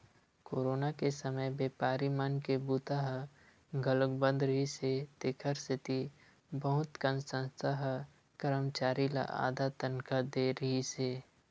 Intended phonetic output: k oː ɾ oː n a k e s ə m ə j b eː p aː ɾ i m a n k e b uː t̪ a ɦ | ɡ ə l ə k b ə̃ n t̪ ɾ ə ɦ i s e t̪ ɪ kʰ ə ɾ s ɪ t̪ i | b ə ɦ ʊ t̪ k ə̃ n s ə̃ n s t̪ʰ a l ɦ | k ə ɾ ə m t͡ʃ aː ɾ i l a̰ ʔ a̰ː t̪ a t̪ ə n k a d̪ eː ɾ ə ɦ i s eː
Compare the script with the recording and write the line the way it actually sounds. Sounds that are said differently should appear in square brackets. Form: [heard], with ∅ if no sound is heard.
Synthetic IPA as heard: k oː ɾ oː n a k e s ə m ə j b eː p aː ɾ i m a n k e b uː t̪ a ɦ | ɡ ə l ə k b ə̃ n [d̪] ɾ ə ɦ i s e t̪ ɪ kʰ ə ɾ s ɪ t̪ i | b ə ɦ ʊ t̪ k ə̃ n s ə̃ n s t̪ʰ a [∅] ɦ | k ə ɾ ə m t͡ʃ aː ɾ i l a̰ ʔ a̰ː [d̪] a t̪ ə n k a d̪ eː ɾ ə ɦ i s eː